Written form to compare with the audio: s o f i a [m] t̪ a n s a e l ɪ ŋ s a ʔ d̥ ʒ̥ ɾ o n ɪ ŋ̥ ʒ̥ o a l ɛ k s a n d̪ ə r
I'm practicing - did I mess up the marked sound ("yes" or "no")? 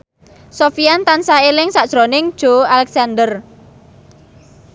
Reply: yes